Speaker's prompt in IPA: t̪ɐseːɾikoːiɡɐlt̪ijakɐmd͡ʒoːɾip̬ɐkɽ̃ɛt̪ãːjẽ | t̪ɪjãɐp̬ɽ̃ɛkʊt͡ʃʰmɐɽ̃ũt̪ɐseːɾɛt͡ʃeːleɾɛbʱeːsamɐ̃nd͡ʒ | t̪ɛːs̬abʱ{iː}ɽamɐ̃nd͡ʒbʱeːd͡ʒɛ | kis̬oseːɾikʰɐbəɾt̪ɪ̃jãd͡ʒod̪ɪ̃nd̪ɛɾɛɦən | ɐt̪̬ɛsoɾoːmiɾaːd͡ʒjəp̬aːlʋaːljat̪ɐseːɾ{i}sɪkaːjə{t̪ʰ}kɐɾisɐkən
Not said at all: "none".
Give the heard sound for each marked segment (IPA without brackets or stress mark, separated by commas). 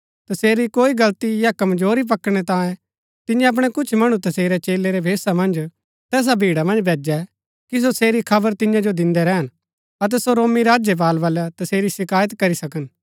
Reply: iː, i, t̪